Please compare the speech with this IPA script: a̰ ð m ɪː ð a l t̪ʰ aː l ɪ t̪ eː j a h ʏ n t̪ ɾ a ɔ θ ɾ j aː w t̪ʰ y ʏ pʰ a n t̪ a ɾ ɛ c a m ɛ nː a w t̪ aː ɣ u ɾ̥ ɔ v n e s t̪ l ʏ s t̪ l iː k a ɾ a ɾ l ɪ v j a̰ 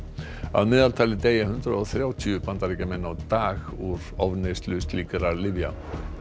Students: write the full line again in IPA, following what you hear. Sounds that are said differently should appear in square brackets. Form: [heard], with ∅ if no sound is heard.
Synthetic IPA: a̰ ð m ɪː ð a l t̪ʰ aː l ɪ t̪ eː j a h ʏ n t̪ ɾ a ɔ θ ɾ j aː w t̪ʰ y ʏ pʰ a n t̪ a ɾ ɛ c a m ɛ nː a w t̪ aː ɣ u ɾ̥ ɔ v n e s t̪ l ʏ s t̪ l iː k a ɾ a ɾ l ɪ v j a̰